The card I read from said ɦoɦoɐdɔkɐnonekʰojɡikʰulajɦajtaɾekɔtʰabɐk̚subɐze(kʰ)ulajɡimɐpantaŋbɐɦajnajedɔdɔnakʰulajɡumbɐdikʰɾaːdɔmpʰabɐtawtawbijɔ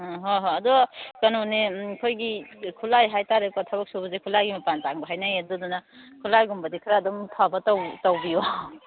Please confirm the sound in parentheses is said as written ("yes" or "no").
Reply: yes